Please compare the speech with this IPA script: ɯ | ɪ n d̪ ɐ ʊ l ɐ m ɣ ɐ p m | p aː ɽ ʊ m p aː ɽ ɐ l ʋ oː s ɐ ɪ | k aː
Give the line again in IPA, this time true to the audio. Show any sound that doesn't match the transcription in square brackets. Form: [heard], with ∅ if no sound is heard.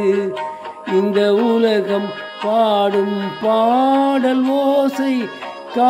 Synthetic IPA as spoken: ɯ | ɪ n d̪ ɐ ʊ l ɐ [∅] ɣ ɐ [∅] m | p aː ɽ [ɯ] m p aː ɽ ɐ l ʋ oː s ɐ ɪ | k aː